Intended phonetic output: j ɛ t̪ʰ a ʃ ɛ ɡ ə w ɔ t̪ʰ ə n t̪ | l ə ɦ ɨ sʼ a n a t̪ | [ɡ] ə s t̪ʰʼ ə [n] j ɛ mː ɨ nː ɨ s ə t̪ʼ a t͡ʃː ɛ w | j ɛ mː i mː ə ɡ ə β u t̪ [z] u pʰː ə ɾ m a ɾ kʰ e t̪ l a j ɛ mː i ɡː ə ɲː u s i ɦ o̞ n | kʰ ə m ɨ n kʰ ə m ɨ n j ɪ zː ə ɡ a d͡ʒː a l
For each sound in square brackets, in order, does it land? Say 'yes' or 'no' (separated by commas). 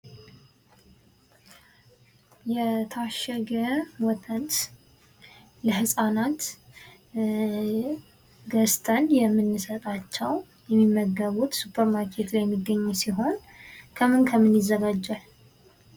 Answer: yes, yes, no